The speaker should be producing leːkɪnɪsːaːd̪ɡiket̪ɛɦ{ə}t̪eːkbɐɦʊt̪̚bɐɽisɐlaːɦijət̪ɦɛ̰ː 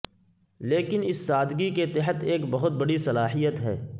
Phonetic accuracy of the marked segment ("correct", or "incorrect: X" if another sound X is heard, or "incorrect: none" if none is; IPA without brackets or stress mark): correct